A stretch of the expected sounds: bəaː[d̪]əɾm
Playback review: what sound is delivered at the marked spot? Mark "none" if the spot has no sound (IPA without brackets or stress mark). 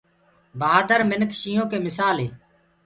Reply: d̪